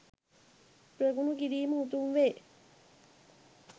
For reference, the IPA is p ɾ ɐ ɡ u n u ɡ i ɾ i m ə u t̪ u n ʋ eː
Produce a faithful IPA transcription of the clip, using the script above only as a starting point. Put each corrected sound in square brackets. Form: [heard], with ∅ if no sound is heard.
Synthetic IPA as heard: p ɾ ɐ ɡ u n u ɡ i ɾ [iː] m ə u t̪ u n ʋ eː